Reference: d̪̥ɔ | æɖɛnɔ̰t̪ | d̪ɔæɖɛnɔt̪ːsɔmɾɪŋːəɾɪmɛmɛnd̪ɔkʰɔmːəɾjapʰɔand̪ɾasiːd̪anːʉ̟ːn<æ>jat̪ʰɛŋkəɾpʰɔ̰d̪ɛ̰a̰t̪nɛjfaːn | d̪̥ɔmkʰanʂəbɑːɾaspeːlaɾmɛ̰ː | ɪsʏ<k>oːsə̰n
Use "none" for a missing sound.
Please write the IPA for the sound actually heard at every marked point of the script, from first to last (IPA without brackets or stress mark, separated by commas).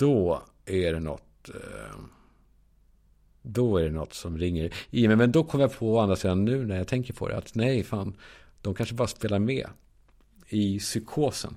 æ, kʰ